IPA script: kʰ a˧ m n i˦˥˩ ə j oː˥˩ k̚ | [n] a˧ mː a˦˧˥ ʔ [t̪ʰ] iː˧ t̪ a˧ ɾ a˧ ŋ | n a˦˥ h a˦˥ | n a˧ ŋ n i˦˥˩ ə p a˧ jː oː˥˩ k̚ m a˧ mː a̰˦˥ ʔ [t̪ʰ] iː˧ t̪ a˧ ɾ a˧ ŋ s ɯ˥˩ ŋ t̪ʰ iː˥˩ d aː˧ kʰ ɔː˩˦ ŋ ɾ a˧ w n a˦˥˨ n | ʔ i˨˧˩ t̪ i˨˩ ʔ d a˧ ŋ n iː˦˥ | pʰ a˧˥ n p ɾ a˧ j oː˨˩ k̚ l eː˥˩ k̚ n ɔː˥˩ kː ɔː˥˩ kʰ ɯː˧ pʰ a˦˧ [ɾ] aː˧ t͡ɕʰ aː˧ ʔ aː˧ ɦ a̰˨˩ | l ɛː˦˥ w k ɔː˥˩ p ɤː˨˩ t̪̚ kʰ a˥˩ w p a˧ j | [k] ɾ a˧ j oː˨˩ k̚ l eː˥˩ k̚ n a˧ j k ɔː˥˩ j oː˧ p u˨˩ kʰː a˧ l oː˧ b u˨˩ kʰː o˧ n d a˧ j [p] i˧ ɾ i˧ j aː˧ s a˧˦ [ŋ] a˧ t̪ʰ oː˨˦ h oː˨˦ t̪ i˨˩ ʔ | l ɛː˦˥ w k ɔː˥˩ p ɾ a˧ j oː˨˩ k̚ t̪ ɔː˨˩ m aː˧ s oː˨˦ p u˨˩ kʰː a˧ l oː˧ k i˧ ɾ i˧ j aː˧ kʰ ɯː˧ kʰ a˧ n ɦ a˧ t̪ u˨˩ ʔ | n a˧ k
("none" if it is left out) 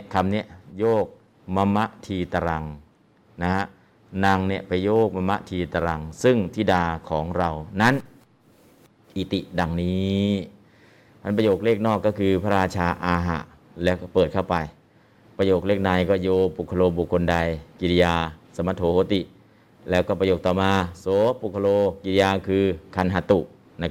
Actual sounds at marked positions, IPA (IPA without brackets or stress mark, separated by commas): m, t̪ʰ, t̪ʰ, ɾ, p, k, m